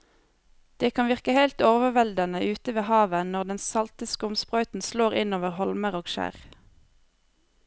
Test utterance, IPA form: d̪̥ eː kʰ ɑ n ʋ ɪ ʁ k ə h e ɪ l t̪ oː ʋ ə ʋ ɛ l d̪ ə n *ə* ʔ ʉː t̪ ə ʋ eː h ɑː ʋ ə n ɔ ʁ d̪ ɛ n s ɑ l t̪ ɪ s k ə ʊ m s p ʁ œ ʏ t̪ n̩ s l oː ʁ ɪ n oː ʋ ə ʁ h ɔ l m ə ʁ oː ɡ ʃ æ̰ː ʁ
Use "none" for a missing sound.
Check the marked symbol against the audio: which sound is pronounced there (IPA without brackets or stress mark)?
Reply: ə